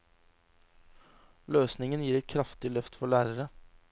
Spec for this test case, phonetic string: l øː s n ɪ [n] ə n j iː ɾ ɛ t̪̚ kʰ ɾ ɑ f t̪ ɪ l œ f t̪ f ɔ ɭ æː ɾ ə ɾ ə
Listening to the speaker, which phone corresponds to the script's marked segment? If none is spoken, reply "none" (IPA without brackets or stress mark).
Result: ŋ